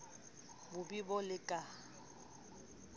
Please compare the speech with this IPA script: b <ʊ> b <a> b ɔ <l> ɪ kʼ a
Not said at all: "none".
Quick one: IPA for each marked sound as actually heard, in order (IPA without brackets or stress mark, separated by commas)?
ʊ, i, l